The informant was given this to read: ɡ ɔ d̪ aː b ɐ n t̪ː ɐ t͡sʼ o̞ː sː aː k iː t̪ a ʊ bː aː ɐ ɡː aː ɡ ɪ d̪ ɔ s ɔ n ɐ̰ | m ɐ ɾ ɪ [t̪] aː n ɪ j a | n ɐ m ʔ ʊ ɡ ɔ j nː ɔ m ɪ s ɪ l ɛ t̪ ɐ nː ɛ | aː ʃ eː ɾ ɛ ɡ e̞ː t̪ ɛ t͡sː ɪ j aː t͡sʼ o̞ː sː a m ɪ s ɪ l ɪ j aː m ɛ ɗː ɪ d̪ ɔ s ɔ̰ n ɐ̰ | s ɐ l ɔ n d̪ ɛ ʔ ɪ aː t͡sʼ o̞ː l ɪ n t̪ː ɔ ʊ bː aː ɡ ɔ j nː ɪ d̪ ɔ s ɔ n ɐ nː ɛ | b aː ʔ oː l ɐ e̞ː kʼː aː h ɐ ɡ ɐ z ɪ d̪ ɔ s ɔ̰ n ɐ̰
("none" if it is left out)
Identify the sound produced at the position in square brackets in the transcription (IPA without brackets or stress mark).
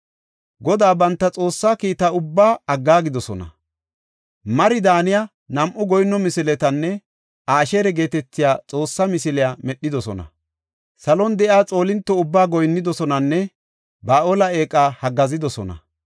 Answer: d̪